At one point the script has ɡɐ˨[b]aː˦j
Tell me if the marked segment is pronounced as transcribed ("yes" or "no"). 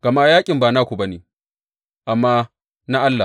no